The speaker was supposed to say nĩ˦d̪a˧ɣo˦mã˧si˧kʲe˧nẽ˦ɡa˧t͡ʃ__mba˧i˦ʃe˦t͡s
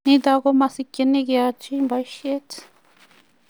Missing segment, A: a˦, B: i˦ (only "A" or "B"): B